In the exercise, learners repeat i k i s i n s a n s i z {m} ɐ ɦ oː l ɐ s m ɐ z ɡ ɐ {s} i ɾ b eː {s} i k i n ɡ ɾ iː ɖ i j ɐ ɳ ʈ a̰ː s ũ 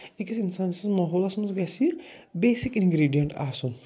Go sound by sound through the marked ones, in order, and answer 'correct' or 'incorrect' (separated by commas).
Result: correct, correct, correct